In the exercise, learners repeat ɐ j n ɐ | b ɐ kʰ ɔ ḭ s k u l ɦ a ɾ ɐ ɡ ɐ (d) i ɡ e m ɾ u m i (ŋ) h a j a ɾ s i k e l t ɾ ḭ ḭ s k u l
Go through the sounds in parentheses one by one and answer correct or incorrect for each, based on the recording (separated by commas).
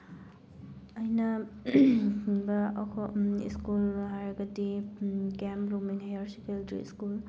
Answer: correct, correct